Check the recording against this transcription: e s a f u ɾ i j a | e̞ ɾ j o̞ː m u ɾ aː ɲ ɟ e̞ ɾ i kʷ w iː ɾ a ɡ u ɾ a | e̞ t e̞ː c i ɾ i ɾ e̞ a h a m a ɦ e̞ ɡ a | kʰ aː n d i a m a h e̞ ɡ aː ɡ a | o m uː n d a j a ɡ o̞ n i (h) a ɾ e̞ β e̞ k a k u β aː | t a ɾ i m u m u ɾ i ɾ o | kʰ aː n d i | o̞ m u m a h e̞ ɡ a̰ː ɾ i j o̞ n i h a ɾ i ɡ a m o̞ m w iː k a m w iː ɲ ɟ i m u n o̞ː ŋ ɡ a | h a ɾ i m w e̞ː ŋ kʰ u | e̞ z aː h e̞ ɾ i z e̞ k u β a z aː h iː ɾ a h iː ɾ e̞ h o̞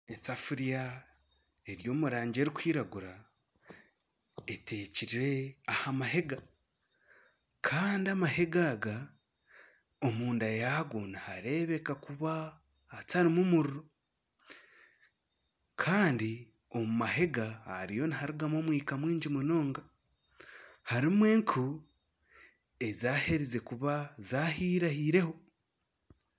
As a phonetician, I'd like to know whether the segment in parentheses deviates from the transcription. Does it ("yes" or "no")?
no